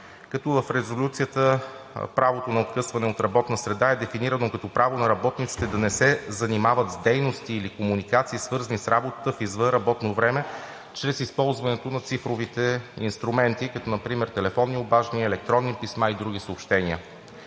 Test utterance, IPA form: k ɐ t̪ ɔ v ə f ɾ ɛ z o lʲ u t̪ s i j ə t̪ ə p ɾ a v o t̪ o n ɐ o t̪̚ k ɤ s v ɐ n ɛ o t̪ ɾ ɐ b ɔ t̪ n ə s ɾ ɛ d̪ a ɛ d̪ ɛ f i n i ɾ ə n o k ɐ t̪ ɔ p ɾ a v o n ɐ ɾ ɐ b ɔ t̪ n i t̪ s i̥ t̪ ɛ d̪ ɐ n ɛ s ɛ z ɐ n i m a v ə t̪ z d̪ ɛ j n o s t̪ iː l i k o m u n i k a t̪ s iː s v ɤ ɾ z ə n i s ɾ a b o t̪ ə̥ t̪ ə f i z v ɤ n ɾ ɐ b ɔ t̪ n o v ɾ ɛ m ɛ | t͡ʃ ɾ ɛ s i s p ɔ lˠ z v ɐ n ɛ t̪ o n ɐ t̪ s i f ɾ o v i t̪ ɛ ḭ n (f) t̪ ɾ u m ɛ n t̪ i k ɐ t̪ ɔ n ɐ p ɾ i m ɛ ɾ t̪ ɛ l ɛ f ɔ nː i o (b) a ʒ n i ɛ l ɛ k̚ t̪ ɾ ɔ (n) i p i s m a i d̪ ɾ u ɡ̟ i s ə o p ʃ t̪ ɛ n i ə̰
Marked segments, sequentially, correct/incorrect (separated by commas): incorrect, correct, incorrect